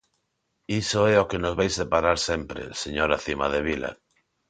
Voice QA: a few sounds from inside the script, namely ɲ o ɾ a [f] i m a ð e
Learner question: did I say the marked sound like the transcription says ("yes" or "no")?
no